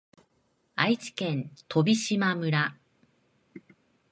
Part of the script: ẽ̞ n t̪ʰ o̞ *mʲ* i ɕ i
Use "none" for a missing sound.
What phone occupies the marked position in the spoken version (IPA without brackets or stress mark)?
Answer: bʲ